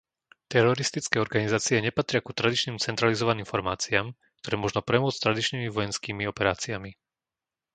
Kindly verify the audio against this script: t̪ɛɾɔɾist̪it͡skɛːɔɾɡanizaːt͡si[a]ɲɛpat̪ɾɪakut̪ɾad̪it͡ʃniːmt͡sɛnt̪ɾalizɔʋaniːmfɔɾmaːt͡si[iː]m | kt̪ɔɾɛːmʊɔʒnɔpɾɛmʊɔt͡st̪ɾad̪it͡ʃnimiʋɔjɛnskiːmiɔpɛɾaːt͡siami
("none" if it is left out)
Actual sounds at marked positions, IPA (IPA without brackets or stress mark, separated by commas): ɛ, aː